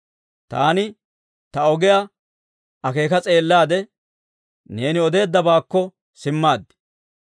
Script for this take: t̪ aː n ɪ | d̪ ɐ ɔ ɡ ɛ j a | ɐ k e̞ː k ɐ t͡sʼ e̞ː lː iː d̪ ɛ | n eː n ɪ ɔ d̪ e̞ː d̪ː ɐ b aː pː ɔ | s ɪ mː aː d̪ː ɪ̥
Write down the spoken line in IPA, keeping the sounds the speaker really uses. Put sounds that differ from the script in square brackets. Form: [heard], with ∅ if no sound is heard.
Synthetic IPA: t̪ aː n ɪ | [t̪] ɐ ɔ ɡ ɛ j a | ɐ k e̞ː k ɐ t͡sʼ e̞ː lː [aː] d̪ ɛ | n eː n ɪ ɔ d̪ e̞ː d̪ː ɐ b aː [kː] ɔ | s ɪ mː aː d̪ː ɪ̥